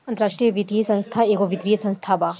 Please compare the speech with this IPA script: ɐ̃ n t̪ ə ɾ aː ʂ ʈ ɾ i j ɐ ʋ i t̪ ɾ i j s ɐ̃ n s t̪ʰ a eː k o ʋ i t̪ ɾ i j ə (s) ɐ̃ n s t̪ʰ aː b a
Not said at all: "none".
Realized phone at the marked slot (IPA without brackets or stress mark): s